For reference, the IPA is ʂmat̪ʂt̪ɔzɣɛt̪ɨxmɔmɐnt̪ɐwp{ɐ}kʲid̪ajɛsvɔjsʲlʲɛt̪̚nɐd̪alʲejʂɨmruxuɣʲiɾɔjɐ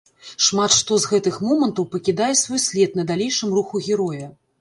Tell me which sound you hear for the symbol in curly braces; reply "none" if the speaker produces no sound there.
ɐ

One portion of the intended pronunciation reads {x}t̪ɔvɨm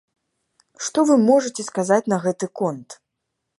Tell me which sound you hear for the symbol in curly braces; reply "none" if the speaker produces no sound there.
ʂ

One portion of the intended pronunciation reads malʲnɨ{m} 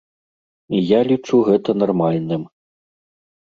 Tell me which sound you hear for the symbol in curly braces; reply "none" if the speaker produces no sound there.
m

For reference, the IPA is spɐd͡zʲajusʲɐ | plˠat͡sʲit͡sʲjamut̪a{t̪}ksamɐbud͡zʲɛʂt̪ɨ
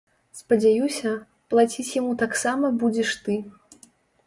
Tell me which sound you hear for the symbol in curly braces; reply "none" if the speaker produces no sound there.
none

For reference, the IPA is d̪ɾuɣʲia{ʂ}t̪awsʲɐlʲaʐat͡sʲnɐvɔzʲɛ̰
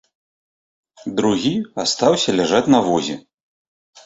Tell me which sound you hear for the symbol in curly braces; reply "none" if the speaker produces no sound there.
s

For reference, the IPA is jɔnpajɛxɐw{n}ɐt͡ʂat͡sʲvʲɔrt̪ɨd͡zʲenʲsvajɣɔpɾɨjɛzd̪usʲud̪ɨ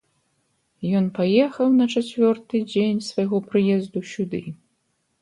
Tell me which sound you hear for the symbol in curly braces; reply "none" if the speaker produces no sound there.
n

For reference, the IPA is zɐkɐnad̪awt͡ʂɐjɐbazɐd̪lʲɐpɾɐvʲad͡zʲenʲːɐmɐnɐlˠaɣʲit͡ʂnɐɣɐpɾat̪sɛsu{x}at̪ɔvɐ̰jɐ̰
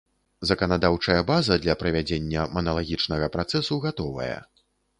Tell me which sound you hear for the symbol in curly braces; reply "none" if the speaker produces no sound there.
ɣ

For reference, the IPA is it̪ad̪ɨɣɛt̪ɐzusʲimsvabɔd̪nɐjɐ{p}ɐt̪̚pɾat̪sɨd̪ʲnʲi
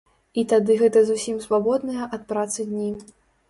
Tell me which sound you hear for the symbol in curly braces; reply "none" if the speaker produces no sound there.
ʔ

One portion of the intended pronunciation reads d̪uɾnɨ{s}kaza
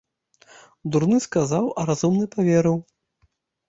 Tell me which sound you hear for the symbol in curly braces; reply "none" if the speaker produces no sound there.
s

